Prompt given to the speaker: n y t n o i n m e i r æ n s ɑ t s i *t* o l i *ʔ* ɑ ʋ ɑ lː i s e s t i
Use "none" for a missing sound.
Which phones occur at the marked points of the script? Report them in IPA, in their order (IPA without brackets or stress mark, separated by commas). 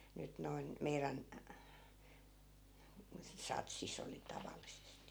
s, t